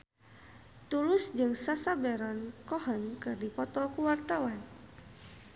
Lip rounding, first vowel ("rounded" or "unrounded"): rounded